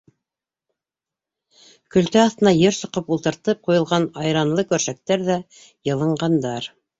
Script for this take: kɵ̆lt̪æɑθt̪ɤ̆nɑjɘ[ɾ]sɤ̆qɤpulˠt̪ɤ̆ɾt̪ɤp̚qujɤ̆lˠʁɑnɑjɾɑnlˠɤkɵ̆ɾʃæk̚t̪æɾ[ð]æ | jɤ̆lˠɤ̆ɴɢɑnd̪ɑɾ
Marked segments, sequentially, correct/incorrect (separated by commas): correct, correct